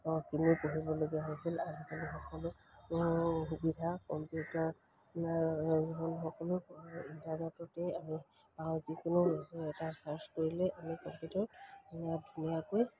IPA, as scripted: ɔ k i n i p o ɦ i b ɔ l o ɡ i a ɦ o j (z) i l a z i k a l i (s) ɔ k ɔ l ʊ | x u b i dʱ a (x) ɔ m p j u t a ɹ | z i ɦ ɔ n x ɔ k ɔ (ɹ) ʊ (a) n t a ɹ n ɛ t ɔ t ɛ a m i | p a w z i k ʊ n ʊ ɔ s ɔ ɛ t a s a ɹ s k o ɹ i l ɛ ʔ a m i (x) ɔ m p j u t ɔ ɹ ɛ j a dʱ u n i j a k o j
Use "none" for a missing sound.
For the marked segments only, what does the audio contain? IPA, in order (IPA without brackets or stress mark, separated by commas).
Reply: s, x, k, l, i, k